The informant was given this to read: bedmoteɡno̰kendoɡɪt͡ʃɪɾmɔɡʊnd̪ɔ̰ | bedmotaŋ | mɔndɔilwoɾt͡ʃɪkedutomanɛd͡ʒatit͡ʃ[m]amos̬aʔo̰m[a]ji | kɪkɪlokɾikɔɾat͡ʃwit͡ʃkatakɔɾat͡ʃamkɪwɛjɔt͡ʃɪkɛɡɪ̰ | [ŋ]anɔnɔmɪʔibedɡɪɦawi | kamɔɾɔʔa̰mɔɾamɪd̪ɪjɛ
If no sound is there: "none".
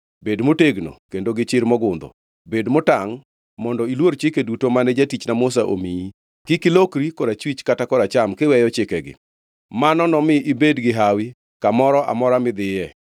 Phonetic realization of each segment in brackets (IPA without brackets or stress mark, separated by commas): n, i, m